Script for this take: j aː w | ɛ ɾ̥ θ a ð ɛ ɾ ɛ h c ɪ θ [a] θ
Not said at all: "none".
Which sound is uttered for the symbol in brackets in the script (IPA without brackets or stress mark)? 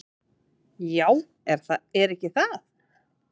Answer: a